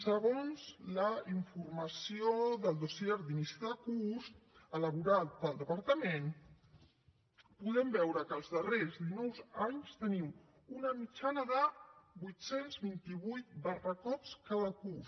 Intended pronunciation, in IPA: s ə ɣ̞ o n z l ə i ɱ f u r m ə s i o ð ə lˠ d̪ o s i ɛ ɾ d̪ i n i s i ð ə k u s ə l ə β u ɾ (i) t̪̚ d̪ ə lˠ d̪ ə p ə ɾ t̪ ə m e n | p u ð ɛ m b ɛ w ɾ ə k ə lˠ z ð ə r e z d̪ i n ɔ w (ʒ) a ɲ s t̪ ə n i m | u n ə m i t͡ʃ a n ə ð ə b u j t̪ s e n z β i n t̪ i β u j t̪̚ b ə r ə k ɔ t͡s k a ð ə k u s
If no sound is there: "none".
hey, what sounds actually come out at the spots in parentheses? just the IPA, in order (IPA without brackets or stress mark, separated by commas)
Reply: a, z